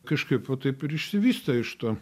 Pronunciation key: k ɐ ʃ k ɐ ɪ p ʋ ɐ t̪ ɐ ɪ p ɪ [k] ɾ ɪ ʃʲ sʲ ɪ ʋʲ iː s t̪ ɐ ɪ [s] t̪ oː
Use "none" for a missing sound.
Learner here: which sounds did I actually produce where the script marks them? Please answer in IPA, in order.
none, ʃ

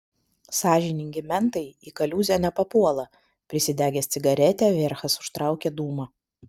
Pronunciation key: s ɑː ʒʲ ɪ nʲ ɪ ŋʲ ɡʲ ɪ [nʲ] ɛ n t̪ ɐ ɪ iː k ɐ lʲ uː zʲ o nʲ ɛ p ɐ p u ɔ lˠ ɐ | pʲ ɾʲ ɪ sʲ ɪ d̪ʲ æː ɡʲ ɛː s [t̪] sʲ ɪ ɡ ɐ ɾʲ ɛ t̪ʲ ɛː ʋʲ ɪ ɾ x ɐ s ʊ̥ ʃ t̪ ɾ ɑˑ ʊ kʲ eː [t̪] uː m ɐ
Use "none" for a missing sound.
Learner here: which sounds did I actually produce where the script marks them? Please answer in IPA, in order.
mʲ, t̪, d̪

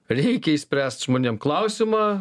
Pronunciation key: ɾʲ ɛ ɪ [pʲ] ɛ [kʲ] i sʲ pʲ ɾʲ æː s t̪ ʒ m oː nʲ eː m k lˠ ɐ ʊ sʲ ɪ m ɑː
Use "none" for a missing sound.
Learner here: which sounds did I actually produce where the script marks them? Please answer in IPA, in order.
kʲ, none

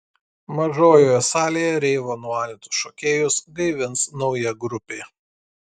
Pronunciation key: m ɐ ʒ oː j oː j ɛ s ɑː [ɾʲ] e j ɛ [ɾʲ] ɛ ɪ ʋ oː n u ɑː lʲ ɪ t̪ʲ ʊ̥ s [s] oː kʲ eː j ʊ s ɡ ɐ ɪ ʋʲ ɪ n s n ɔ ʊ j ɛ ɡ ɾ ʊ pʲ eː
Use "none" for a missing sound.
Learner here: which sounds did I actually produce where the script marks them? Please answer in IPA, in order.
lʲ, ɾʲ, ʃ

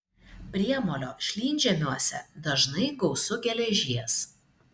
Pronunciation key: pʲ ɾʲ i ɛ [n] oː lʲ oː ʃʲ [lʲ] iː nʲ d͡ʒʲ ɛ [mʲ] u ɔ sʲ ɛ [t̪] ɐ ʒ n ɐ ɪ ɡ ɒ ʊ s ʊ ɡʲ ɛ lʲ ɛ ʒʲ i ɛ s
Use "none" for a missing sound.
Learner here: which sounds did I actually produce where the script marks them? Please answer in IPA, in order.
m, lʲ, mʲ, d̪

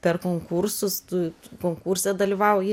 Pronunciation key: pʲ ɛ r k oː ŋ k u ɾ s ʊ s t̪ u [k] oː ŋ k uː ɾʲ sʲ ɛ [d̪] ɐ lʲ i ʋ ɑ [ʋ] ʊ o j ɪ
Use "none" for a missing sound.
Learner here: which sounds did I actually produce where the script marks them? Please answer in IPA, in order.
k, d̪, none

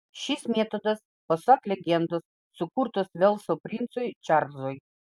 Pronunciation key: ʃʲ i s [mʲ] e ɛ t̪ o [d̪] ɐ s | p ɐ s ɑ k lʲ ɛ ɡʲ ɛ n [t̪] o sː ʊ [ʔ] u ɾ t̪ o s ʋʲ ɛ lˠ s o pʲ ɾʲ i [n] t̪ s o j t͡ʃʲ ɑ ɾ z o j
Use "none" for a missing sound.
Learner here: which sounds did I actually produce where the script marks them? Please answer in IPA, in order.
mʲ, d̪, d̪, k, n

